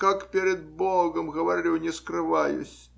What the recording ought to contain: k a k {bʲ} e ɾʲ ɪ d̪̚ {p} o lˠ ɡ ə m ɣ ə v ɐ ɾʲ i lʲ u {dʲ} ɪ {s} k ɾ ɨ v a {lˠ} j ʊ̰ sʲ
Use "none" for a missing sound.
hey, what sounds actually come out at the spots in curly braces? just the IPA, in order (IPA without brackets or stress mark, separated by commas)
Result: pʲ, b, nʲ, s, none